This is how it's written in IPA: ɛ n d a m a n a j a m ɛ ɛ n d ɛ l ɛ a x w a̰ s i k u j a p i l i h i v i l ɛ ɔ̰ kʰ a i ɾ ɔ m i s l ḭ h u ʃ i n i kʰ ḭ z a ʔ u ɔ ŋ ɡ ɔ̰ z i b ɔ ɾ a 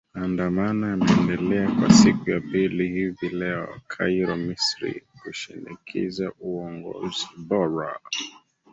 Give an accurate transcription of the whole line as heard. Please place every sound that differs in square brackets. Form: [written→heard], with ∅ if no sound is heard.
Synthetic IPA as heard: [ɛ→a] n d a m a n a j a m ɛ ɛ n d ɛ l ɛ a [x→k] w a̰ s i k u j a p i l i h i v i l ɛ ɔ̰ kʰ a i ɾ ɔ m i s [l→ɾ] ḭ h u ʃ i n i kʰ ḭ z a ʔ u ɔ ŋ ɡ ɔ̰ z i b ɔ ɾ a